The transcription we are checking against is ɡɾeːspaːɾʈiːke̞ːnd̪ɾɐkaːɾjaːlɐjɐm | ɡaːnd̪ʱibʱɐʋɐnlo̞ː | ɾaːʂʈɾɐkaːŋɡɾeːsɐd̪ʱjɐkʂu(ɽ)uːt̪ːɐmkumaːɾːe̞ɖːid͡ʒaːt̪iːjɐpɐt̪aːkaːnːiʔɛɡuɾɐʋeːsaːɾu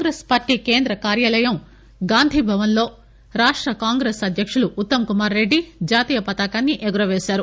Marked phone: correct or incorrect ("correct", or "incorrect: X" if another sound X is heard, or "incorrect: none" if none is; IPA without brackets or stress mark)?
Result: incorrect: l